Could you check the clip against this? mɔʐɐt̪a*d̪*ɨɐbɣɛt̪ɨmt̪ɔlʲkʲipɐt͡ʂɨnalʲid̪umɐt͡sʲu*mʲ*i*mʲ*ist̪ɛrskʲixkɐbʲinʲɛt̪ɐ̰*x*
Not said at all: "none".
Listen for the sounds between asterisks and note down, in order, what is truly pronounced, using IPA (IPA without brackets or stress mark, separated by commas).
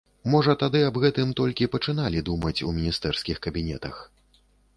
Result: d̪, mʲ, nʲ, x